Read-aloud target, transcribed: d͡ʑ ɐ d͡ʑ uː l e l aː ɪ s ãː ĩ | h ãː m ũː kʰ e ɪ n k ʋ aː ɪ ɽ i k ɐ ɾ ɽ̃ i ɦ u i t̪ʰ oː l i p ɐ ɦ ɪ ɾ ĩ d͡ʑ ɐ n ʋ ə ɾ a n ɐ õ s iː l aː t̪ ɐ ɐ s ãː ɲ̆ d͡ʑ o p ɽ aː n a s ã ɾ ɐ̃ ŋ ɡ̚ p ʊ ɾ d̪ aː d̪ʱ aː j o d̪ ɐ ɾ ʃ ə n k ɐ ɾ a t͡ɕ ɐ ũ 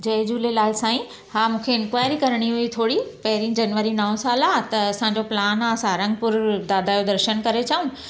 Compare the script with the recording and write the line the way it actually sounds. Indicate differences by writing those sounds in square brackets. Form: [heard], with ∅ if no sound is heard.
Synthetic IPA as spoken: d͡ʑ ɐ d͡ʑ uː l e l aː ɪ s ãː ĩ | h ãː m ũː kʰ e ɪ n k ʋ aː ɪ [ɾ] i k ɐ ɾ ɽ̃ i ɦ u i t̪ʰ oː [ɽ] i p ɐ ɦ ɪ ɾ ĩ d͡ʑ ɐ n ʋ ə ɾ [i] n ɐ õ s [aː] l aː t̪ ɐ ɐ s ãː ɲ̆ d͡ʑ o p [l] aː n a s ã ɾ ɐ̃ ŋ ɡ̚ p ʊ ɾ d̪ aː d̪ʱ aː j o d̪ ɐ ɾ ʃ ə n k ɐ ɾ [e] t͡ɕ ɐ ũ